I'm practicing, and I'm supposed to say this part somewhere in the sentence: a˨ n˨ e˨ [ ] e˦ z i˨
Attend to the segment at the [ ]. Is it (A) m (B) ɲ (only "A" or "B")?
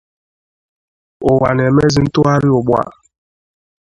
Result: A